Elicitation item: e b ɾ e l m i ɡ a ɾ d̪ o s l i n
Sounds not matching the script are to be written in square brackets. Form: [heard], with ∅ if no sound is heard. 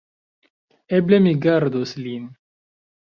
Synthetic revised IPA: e b [l] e [∅] m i ɡ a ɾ d̪ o s l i n